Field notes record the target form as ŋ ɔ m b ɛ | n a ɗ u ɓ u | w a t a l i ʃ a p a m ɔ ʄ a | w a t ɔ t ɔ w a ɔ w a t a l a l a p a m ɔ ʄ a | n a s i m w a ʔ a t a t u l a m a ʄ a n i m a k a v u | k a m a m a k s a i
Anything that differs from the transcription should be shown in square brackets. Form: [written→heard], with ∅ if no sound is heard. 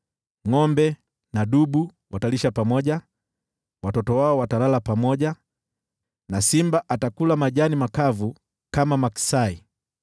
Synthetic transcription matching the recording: ŋ ɔ m b ɛ | n a ɗ u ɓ u | w a t a l i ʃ a p a m ɔ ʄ a | w a t ɔ t ɔ w a ɔ w a t a l a l a p a m ɔ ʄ a | n a s i m [w→b] a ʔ a t a [t→k] u l a m a ʄ a n i m a k a v u | k a m a m a k s a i